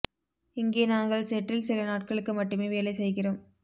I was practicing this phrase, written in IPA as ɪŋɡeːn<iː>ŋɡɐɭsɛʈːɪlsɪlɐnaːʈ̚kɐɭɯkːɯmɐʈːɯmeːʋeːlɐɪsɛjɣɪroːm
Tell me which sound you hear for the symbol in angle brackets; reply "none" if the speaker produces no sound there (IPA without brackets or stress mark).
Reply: aː